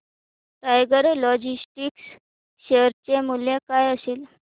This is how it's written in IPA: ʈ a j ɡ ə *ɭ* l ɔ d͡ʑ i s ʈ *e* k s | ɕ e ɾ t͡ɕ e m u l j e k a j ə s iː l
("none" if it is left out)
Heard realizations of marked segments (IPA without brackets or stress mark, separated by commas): ɾ, i